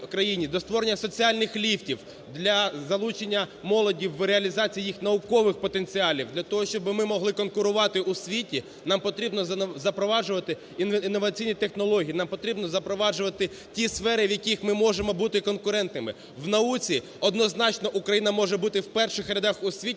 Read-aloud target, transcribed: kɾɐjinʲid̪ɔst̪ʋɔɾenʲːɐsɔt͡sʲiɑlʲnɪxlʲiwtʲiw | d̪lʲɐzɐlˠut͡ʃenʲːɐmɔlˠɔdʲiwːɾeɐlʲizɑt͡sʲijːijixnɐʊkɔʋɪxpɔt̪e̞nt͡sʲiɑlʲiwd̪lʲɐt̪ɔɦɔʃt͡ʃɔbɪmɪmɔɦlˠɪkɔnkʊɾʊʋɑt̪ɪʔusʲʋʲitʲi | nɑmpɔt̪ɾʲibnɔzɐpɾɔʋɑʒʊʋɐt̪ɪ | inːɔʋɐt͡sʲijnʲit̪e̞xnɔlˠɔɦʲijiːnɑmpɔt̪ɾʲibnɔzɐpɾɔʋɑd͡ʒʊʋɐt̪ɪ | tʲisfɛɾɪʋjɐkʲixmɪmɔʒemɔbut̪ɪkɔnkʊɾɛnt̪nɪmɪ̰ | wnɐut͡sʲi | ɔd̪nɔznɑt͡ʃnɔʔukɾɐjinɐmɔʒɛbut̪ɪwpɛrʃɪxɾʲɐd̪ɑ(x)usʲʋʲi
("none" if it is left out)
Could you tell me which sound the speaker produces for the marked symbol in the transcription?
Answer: x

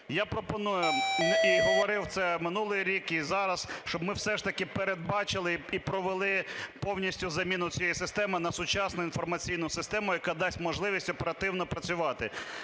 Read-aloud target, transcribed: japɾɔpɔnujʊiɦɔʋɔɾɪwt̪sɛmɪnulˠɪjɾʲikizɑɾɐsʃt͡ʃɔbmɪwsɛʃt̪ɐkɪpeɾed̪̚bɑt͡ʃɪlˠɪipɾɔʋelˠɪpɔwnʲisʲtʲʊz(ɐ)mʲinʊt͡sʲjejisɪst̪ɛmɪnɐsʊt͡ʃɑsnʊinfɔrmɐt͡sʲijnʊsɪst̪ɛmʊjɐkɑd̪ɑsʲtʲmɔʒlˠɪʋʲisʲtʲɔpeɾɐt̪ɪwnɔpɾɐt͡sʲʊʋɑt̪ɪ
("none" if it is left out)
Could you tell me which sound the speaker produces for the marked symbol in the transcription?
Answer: ɐ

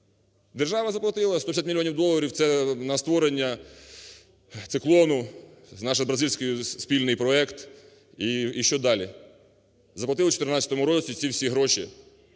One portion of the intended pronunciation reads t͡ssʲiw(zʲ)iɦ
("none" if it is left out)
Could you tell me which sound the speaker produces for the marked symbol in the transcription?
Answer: sʲ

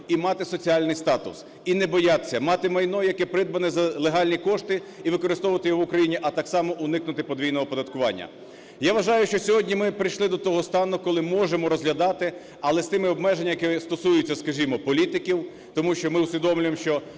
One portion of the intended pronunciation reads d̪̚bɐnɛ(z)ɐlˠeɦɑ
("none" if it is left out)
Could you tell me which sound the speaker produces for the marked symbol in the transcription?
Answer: z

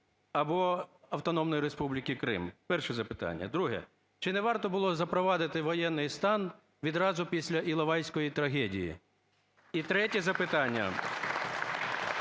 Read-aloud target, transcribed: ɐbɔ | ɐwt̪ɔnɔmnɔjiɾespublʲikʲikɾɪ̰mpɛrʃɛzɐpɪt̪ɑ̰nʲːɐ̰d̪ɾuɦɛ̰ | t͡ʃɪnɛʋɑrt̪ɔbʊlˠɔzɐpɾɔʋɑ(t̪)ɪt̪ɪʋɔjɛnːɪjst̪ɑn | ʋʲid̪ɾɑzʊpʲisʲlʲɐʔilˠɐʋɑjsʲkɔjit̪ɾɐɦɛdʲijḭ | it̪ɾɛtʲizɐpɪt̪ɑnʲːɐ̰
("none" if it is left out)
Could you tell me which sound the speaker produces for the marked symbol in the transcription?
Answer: d̪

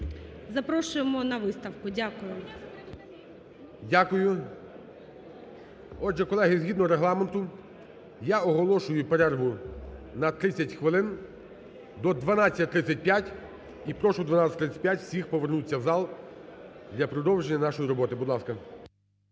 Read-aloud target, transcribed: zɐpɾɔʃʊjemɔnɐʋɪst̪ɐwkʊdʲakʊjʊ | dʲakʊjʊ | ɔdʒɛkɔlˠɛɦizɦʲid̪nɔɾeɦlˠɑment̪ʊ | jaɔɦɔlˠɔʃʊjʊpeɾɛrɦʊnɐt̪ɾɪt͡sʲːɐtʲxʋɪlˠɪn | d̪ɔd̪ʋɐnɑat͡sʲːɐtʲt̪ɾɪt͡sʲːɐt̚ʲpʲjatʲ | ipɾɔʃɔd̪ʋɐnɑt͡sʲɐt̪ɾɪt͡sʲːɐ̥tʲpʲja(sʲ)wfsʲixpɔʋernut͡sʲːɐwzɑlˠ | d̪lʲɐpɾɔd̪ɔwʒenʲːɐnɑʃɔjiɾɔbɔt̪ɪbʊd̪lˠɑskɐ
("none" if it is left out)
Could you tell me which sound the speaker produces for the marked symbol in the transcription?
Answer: tʲ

